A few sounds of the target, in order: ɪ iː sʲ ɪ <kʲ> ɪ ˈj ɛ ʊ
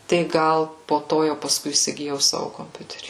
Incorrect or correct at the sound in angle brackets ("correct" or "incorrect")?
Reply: incorrect